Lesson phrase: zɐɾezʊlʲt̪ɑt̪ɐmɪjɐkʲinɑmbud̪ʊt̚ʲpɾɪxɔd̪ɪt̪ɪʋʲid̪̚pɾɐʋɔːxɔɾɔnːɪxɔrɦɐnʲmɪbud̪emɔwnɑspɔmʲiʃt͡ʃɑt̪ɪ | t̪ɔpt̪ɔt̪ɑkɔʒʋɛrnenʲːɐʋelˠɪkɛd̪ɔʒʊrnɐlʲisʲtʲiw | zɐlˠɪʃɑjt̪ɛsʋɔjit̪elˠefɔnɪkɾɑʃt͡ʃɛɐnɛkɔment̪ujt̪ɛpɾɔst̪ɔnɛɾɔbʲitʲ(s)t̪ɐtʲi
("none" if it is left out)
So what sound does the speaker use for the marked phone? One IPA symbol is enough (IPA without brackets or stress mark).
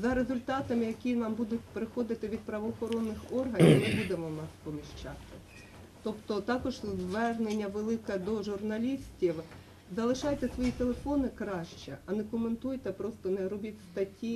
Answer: s